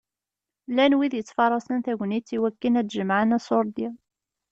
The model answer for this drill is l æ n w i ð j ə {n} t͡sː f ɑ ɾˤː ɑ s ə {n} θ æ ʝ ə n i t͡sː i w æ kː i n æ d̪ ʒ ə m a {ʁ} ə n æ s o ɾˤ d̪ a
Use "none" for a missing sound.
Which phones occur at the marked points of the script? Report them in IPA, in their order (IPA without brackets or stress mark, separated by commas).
none, n, ʕ